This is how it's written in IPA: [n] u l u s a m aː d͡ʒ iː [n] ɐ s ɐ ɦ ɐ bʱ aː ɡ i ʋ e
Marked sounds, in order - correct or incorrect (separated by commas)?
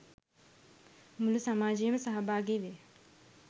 incorrect, incorrect